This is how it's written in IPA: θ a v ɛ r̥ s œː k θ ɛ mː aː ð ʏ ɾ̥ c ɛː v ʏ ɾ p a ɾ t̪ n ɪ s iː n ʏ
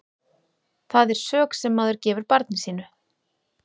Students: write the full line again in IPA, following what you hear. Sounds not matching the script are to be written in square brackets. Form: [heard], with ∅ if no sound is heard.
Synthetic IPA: θ a [ð] ɛ [ɾ̥] s œː k [s] ɛ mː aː ð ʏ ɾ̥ c ɛː v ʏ ɾ p a ɾ t̪ n ɪ s iː n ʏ